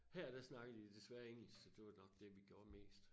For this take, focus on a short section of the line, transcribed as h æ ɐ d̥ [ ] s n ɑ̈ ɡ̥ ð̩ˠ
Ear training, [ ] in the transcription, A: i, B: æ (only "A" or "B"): B